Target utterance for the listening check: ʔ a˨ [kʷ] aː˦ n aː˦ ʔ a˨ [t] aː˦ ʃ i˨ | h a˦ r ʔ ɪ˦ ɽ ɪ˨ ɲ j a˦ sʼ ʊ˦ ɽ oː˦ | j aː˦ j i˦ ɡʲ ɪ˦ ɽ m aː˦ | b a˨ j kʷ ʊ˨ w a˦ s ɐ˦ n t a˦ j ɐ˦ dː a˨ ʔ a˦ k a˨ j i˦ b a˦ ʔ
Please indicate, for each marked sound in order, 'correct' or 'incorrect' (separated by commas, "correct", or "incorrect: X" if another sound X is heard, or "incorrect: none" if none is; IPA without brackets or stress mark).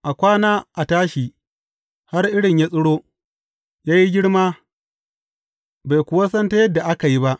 correct, correct